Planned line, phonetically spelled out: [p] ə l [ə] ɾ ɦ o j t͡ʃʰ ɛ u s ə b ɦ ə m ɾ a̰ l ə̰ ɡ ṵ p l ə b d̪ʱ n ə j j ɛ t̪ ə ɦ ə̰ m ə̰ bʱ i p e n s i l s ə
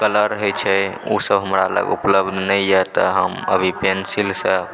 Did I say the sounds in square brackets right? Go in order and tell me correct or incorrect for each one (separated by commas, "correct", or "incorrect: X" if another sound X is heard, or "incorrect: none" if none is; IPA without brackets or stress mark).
incorrect: k, correct